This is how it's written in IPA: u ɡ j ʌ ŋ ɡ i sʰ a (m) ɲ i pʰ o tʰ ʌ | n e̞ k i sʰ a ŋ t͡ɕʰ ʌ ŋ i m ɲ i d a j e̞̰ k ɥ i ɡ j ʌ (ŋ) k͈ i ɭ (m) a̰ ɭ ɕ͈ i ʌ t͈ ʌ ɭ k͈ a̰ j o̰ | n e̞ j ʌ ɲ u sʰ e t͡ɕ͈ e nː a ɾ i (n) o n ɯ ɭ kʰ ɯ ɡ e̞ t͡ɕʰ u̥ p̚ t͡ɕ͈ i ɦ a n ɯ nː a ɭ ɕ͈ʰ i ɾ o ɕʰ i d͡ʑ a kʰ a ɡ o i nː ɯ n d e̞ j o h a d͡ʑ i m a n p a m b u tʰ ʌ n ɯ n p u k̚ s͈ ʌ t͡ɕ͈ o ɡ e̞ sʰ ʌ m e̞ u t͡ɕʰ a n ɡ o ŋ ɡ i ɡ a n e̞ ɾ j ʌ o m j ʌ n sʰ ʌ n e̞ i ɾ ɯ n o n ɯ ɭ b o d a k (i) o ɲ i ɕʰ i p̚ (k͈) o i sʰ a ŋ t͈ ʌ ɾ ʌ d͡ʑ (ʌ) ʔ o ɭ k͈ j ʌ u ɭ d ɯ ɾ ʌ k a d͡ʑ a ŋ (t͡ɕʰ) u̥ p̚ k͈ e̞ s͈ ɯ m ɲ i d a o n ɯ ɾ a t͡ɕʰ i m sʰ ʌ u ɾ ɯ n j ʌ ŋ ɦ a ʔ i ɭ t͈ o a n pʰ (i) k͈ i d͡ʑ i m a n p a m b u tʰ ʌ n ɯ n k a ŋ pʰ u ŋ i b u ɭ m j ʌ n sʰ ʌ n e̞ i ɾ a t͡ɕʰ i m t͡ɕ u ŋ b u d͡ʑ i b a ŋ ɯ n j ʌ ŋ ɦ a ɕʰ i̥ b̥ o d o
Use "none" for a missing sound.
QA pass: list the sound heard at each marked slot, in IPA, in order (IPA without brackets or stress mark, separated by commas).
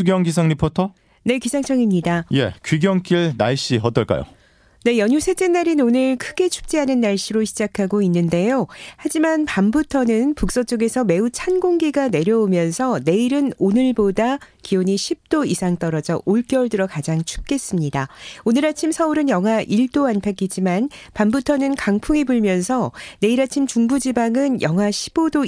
ŋ, ŋ, n, n, i, t͈, ʌ, t͡ɕʰ, a